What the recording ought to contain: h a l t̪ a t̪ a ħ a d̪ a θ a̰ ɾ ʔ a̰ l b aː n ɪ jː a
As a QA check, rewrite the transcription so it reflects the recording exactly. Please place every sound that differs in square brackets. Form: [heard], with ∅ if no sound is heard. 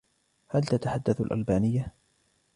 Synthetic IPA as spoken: h a l t̪ a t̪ a ħ a [d̪ː] a θ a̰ [l] ʔ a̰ l b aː n ɪ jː a